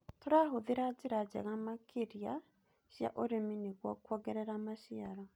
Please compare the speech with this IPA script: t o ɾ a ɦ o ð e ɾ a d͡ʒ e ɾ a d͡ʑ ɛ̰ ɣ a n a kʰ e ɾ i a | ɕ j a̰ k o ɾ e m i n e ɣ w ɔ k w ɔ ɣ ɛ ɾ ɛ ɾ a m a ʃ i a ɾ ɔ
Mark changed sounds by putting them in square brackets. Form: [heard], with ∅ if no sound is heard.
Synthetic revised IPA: t o ɾ a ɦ o ð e ɾ a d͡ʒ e ɾ a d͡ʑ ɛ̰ ɣ a [m] a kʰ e ɾ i a | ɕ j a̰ [ʔ] o ɾ e m i n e ɣ w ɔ k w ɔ ɣ ɛ ɾ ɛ ɾ a m a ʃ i a ɾ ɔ